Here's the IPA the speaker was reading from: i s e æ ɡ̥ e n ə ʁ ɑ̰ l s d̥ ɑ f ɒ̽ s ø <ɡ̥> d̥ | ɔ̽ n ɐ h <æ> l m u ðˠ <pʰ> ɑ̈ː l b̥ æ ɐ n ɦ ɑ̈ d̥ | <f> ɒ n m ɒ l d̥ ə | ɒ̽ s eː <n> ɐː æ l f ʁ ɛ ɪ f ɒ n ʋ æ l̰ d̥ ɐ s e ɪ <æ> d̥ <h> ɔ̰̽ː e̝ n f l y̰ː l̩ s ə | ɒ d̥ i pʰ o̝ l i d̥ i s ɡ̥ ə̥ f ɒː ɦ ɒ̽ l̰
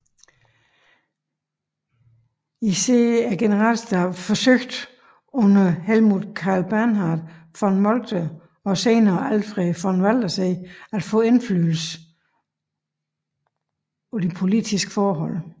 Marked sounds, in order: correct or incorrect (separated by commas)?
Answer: correct, incorrect, incorrect, correct, correct, correct, incorrect